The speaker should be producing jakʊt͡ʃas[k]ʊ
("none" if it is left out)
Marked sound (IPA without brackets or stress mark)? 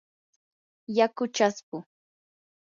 p